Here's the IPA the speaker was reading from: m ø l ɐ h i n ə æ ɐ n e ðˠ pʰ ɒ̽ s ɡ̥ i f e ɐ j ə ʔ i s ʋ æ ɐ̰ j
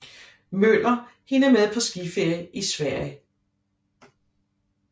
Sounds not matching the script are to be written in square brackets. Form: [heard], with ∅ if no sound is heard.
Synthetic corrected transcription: m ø l ɐ h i n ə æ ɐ [m] e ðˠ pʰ ɒ̽ s ɡ̥ i f e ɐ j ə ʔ i s ʋ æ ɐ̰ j